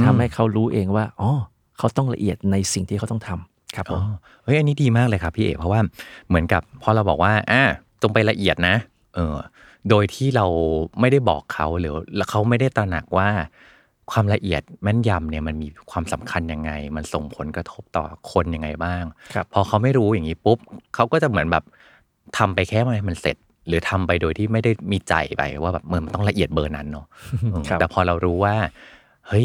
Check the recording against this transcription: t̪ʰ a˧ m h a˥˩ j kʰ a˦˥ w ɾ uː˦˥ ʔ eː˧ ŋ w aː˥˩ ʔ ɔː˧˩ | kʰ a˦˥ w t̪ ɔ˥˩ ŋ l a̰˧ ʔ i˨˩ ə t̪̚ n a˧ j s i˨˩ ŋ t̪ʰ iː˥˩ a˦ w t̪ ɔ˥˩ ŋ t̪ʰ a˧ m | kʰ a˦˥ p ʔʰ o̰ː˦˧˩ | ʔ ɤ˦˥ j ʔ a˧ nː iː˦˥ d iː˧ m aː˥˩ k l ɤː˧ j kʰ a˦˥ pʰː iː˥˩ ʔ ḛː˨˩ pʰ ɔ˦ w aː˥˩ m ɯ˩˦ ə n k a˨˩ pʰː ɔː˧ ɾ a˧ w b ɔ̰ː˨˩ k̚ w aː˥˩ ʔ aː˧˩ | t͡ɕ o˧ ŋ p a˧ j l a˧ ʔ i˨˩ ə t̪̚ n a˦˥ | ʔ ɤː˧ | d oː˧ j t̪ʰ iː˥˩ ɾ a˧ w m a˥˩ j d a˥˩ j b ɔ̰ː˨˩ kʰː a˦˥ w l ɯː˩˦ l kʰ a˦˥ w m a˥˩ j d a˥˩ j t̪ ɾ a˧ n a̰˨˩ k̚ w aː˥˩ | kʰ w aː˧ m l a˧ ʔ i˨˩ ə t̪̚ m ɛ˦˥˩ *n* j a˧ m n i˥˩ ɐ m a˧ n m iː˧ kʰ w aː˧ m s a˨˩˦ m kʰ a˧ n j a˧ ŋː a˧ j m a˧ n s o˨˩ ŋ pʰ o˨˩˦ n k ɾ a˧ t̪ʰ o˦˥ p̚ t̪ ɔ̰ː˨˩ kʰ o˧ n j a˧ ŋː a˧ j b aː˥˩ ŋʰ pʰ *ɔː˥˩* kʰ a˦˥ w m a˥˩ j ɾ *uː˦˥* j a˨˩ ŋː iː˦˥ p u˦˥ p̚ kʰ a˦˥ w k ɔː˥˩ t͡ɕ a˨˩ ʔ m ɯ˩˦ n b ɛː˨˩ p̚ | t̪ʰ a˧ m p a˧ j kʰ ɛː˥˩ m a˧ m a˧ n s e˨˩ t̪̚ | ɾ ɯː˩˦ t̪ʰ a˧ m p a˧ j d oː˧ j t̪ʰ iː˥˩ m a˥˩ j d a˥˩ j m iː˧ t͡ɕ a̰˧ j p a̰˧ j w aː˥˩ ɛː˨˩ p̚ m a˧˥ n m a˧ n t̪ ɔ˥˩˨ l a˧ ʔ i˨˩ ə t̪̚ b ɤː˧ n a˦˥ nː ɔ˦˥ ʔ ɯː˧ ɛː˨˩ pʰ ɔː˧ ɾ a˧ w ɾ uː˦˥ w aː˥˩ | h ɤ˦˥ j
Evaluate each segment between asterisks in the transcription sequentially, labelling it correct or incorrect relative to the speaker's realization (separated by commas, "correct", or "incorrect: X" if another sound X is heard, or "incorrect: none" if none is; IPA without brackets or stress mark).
correct, incorrect: ɔː˧, correct